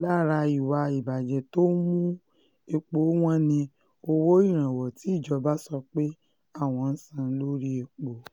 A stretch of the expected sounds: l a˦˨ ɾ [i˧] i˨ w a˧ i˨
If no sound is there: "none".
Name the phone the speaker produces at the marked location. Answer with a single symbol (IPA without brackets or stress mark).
a˧